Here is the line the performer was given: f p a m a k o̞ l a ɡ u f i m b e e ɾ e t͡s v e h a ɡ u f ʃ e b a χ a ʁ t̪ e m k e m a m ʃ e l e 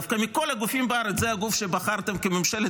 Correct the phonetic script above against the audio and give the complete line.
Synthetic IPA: f k a m i k o̞ l a ɡ u f i m b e a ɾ e t͡s z e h a ɡ u f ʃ e b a χ a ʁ t̪ e m k e m e m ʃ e l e